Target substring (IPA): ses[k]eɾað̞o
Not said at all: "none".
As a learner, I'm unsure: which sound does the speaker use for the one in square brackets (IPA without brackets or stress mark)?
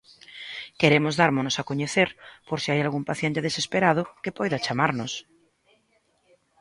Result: p